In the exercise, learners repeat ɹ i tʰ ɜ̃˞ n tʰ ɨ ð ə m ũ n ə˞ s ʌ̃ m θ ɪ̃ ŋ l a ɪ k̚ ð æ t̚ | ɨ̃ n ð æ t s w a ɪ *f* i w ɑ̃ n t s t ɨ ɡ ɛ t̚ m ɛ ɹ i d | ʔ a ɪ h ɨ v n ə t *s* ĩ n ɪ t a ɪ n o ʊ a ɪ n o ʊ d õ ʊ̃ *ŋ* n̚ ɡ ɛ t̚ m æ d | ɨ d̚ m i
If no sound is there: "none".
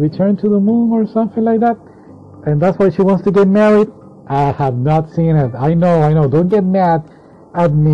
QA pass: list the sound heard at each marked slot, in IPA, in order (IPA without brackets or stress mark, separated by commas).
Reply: ʃ, s, none